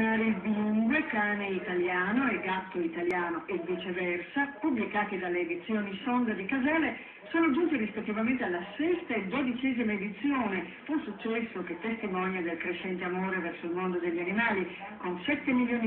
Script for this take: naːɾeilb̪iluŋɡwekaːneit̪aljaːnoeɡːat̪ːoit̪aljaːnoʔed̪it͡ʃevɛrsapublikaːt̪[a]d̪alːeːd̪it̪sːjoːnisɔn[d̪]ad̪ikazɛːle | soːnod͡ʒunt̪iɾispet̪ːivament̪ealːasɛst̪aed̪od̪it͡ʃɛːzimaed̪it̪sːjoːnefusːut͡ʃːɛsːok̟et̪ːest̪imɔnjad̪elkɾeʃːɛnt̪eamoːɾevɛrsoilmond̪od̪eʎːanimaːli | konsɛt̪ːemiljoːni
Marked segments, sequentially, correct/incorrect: incorrect, correct

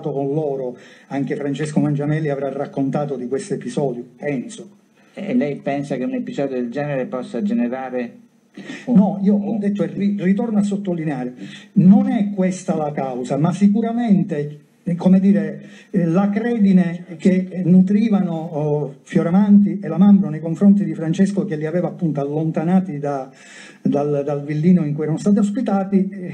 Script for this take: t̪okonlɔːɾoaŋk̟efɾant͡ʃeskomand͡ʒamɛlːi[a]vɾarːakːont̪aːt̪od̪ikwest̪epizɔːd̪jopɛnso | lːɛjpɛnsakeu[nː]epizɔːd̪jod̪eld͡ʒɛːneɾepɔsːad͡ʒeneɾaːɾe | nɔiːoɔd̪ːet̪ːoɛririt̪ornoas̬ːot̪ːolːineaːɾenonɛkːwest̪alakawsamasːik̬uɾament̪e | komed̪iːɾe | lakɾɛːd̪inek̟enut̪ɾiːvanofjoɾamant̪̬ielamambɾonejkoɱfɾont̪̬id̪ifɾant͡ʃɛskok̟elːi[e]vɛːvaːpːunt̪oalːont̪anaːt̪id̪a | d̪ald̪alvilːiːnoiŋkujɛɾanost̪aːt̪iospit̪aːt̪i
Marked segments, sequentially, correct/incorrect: correct, incorrect, incorrect

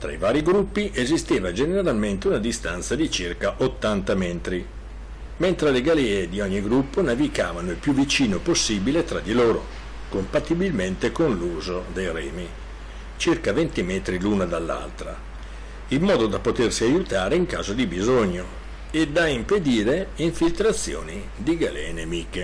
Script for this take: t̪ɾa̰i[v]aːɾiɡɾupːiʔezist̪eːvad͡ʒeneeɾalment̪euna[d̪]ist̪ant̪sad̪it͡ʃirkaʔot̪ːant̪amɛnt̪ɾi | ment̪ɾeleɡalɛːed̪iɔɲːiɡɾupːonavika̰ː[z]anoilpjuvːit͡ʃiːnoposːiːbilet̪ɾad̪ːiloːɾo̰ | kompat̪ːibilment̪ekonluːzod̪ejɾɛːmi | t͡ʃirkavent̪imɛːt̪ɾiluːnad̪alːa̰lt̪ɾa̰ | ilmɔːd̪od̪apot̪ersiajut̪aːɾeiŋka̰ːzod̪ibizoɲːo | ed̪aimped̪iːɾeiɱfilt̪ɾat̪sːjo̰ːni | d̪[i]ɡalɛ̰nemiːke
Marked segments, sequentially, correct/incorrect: correct, correct, incorrect, correct

